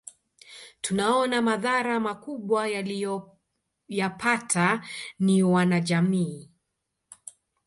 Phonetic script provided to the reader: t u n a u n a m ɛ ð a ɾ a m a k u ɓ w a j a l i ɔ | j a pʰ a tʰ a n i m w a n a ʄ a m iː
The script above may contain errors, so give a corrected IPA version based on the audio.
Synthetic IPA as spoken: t u n a ɔ n a m a ð a ɾ a m a k u ɓ w a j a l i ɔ | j a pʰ a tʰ a n i w a n a ʄ a m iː